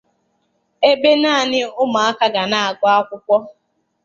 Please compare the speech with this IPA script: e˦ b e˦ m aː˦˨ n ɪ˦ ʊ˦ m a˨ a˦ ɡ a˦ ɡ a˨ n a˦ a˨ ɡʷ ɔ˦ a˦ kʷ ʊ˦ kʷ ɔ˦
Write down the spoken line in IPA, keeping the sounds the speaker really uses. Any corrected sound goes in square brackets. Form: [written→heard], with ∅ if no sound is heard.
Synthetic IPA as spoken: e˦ b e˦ [m→n] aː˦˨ n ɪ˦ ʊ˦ m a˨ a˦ [ɡ→k] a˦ ɡ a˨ n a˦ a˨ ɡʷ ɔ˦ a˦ kʷ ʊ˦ kʷ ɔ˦